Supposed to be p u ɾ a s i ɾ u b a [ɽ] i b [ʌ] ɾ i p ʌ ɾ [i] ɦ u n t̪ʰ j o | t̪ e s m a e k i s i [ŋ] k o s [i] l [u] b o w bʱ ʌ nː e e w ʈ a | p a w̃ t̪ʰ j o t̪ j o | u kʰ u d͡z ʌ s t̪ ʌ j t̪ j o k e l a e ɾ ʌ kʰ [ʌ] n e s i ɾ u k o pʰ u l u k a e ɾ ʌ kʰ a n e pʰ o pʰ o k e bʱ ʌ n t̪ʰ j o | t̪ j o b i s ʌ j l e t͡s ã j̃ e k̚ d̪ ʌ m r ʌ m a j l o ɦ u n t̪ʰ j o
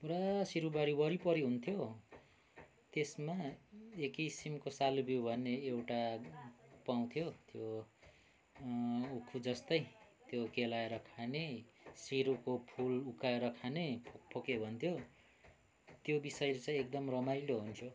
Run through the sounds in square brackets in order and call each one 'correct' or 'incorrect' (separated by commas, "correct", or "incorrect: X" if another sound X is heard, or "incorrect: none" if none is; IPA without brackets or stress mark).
incorrect: ɾ, correct, correct, incorrect: m, incorrect: a, correct, incorrect: a